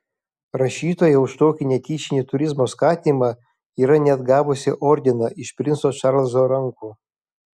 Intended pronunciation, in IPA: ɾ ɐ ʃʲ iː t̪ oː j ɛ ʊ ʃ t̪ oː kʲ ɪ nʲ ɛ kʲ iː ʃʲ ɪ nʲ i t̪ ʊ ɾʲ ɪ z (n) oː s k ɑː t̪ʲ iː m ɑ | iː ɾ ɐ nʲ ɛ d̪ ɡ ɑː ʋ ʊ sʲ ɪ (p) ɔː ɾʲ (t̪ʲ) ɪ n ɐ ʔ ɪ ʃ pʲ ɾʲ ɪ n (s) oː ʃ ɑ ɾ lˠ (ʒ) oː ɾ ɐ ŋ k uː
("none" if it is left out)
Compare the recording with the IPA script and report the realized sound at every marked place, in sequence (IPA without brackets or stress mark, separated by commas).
m, ʔ, d̪ʲ, s, z